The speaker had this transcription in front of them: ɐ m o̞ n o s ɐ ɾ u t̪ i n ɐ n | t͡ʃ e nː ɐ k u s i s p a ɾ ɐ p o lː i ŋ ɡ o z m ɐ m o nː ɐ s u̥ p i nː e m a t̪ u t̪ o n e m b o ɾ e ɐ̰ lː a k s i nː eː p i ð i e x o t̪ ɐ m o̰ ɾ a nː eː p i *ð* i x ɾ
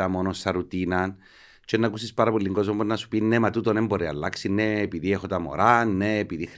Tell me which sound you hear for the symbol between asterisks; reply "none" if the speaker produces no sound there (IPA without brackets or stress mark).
ð